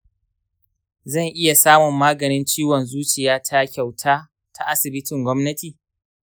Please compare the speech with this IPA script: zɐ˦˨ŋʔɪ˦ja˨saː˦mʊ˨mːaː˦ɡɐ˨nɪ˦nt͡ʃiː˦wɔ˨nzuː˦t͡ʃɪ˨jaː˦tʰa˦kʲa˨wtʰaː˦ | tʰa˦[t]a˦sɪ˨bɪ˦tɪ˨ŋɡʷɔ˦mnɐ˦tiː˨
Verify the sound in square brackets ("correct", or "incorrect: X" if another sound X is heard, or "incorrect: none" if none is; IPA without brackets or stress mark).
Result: incorrect: ʔ